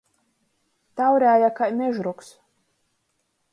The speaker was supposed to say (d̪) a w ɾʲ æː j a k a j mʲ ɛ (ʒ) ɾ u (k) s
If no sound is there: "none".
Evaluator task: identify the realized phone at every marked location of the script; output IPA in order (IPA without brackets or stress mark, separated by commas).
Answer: t̪, ʒ, k